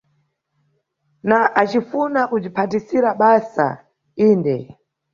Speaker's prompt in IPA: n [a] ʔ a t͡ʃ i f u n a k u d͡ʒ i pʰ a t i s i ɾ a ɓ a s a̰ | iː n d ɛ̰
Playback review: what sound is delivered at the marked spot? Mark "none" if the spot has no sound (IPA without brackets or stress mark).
a